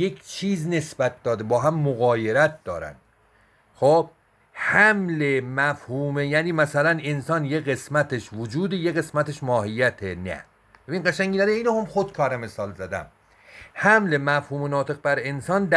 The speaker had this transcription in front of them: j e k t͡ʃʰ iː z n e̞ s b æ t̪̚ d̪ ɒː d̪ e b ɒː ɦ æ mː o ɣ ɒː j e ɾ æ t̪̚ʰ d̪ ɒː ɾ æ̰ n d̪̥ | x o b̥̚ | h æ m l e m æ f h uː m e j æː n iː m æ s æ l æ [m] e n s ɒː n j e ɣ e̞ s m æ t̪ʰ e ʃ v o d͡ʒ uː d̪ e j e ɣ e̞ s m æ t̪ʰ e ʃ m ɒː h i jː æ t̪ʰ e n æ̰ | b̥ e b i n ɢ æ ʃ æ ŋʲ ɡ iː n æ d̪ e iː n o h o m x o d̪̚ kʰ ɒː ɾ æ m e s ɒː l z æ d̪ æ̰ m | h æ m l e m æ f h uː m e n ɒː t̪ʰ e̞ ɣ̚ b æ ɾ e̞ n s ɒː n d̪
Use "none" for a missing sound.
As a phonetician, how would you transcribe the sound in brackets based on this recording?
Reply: n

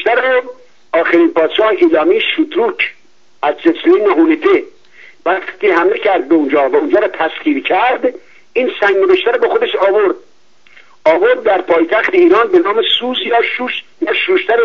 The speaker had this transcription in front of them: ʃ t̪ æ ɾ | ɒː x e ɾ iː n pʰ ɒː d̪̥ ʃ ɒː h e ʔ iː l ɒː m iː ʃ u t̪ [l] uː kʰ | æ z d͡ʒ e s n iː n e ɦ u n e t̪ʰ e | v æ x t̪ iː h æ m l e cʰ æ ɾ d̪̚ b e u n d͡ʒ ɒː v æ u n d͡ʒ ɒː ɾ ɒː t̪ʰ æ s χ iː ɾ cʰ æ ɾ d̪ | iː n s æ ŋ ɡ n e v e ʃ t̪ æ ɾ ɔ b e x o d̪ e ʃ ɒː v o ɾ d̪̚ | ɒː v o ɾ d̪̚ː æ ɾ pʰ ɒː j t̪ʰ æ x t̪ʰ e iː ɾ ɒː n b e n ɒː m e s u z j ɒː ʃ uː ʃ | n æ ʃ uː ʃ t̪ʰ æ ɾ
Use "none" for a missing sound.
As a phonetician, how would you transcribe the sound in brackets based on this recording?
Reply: ɾ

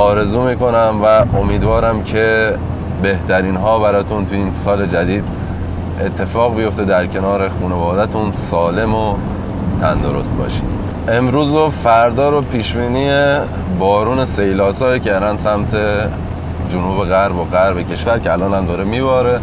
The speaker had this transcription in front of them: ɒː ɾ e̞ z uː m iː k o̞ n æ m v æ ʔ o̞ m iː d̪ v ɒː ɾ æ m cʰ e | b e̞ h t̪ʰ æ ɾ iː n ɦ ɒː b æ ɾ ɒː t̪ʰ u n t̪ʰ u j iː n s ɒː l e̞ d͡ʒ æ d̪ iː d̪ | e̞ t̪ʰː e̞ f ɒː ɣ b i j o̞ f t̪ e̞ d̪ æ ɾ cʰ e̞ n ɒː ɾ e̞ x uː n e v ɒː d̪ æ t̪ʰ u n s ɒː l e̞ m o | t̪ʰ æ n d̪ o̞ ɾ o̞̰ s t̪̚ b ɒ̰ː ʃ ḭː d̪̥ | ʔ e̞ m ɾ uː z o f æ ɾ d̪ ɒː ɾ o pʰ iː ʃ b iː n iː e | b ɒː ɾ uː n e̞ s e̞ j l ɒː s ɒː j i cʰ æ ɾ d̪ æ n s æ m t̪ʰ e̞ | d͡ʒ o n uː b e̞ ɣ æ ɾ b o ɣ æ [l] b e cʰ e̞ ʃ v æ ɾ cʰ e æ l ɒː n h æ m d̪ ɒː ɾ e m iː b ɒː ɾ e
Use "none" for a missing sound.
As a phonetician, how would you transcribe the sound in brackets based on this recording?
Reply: ɾ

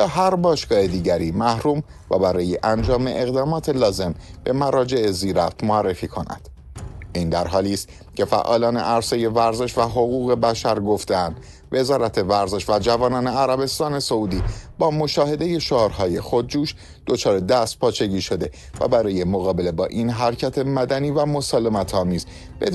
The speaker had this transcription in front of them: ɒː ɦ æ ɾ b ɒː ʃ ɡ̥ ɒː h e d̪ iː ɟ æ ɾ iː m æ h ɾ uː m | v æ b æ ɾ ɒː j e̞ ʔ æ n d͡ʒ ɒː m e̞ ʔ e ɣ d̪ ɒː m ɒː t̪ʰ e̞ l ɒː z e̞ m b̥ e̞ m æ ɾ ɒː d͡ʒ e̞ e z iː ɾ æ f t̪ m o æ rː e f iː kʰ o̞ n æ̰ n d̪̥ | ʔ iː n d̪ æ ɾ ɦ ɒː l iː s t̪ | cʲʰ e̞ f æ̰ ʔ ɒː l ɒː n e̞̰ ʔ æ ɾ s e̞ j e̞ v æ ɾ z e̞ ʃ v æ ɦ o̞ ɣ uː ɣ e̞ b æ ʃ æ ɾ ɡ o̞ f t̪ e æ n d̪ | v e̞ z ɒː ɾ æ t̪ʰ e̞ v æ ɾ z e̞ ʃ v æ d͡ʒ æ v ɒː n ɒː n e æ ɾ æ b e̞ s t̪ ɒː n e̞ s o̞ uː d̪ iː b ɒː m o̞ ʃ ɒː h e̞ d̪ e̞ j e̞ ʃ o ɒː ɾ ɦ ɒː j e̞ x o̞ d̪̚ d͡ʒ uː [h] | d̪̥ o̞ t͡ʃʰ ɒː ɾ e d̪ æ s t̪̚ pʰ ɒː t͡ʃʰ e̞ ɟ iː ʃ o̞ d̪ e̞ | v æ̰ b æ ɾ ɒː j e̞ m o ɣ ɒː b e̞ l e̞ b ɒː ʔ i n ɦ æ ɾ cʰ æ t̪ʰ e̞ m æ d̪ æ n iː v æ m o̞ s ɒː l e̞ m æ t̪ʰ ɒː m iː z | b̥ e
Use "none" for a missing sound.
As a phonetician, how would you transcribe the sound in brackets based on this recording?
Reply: ʃ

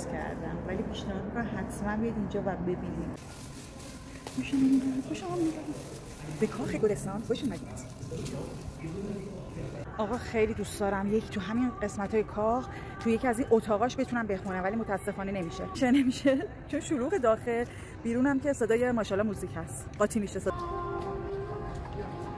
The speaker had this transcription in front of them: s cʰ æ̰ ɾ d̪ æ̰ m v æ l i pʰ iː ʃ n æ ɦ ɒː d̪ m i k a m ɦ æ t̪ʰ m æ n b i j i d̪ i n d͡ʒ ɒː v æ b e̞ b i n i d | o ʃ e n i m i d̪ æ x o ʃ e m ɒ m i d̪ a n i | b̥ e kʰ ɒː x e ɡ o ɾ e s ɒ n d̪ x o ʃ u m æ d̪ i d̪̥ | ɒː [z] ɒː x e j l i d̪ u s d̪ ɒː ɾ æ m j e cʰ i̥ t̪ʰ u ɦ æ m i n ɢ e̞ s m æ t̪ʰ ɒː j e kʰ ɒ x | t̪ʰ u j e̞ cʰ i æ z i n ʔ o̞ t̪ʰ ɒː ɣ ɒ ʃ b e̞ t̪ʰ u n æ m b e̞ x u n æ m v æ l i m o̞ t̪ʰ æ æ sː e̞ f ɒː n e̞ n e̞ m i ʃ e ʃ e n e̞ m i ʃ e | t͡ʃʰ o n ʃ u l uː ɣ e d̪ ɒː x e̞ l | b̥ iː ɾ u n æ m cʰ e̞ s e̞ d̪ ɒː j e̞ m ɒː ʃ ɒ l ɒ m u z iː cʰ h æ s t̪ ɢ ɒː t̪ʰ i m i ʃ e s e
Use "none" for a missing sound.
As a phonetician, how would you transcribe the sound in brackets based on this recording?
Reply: ɣ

